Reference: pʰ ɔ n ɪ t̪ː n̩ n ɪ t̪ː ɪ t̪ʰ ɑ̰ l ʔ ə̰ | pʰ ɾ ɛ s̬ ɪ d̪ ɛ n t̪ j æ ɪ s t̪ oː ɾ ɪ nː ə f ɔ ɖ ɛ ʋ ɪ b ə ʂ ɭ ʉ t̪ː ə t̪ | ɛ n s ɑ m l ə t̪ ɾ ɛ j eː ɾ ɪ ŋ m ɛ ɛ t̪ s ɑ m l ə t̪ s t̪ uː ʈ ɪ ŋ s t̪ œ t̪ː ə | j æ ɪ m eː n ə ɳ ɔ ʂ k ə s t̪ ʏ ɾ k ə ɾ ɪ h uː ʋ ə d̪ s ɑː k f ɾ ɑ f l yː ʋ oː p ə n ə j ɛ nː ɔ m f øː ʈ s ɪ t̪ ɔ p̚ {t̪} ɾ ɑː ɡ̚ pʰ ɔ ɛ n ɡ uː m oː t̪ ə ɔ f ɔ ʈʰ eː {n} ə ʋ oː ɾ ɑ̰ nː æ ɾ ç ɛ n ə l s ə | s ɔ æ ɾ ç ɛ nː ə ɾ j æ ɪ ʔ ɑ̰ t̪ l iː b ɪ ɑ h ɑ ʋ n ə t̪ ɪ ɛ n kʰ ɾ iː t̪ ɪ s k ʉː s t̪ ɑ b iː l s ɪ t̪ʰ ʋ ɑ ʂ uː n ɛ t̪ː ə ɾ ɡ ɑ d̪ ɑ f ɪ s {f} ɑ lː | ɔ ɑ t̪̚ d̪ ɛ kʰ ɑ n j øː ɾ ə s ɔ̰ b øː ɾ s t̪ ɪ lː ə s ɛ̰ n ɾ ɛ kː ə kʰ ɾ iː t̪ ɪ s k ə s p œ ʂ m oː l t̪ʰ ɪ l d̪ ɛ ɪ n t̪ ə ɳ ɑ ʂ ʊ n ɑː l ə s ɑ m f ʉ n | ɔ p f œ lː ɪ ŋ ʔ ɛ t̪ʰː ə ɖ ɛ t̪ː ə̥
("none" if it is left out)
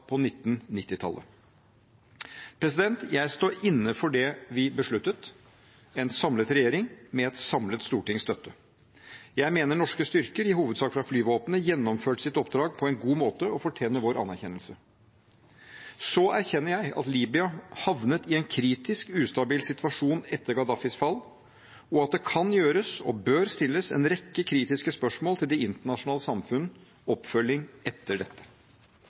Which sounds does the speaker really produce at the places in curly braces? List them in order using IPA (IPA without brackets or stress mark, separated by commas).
d̪, n, f